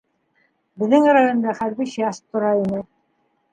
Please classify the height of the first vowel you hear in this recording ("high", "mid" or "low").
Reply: mid